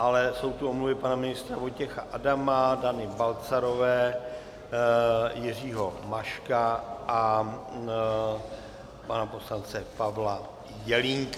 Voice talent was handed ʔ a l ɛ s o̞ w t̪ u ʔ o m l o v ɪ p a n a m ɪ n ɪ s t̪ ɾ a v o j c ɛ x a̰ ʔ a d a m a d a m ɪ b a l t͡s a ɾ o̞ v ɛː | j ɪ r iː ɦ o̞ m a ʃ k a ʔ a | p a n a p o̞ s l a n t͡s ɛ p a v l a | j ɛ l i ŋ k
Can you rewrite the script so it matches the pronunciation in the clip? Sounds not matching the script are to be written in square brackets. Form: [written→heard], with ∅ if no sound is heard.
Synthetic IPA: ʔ a l ɛ s o̞ w t̪ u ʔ o m l [o→u] v ɪ p a n a m ɪ n ɪ s t̪ ɾ a v o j c ɛ x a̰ ʔ a d a m a d a [m→n] ɪ b a l t͡s a ɾ o̞ v ɛː | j ɪ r iː ɦ o̞ m a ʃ k a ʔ a | p a n a p o̞ s l a n t͡s ɛ p a v l a | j ɛ l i ŋ k